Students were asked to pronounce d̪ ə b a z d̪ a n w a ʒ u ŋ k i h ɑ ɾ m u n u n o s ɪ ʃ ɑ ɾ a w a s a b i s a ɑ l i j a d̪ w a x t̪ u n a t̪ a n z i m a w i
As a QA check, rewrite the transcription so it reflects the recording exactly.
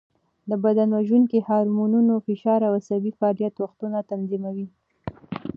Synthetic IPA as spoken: d̪ ə b a d̪ a n w a ʒ u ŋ k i h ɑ ɾ m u n u n o f ɪ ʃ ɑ ɾ a w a s a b i f a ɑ l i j a t̪ w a x t̪ u n a t̪ a n z i m a w i